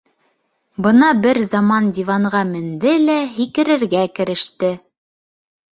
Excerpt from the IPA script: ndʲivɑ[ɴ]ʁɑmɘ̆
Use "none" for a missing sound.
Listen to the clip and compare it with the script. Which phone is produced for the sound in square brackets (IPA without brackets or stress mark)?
ɴ